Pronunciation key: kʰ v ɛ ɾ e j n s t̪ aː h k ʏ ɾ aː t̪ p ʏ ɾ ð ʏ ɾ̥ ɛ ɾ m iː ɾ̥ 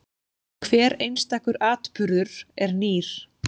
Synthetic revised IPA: kʰ v ɛː ɾ e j n s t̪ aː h k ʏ ɾ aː t̪ p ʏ ɾ ð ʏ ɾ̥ ɛ ɾ n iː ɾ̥